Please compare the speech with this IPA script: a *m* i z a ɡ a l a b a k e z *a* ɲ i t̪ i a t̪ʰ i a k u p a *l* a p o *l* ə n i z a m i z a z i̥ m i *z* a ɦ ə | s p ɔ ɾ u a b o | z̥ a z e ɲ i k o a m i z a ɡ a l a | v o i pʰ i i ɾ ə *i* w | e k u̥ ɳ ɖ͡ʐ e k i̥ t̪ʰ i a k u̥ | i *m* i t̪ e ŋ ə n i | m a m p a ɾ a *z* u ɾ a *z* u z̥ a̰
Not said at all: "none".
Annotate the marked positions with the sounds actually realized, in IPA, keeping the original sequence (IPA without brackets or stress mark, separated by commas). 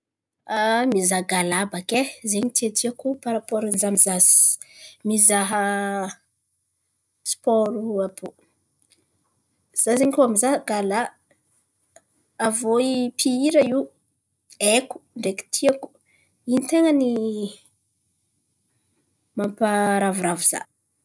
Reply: m, e, ɾ, ɾ, z, i, n, v, v